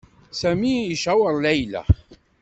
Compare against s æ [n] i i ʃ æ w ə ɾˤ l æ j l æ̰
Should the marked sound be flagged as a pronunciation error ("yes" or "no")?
yes